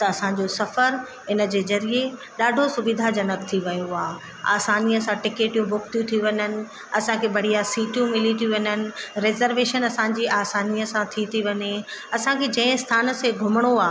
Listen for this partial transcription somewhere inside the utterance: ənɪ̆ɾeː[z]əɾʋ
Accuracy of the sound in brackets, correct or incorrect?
correct